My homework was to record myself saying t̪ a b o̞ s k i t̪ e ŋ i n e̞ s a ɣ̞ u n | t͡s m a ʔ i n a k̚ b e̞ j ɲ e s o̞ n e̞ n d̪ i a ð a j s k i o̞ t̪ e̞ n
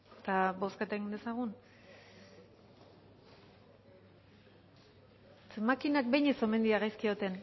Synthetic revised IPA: t̪ a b o̞ s k a t̪ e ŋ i n e̞ s a ɣ̞ u n | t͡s m a k i n a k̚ b e̞ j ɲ e s o̞ m e̞ n d̪ i a ɣ a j s k i o̞ t̪ e̞ n